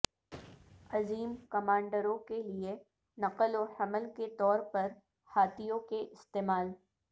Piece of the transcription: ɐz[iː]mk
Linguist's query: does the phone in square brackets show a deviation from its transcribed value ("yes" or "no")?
no